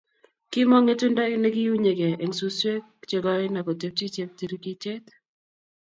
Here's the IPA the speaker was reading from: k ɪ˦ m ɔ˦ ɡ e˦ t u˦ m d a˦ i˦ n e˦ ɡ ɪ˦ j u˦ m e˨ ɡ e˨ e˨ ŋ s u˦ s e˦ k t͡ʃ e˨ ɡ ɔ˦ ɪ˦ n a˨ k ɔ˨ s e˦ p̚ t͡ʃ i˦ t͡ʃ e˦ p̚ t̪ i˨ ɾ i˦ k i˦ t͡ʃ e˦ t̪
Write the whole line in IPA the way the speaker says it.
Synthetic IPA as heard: k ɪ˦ m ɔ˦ ŋ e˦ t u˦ n d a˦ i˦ n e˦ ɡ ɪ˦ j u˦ ɲ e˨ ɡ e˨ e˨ ŋ s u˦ s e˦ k t͡ʃ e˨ ɡ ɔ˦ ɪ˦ n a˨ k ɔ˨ t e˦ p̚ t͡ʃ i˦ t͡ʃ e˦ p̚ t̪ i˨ ɾ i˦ k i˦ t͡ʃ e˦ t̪